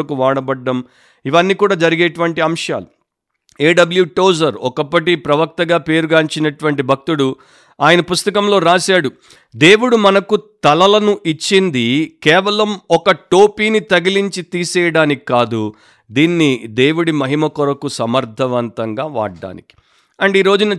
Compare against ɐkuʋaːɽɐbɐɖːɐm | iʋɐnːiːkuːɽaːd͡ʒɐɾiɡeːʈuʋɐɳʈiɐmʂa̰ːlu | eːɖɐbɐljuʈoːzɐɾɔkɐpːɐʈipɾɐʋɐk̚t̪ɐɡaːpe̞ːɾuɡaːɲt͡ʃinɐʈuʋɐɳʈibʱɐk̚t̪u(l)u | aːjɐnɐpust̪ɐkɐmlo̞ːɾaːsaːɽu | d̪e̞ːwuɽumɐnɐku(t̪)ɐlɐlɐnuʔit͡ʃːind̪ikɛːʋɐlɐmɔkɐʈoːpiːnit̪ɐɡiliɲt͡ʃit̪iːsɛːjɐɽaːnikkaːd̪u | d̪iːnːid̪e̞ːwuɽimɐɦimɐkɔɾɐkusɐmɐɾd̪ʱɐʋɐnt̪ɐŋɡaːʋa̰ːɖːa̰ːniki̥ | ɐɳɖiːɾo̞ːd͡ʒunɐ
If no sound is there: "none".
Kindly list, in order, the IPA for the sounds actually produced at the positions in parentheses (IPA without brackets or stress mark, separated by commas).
ɽ, t̪